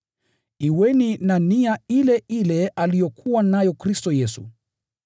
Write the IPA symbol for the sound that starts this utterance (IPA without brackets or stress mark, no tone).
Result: i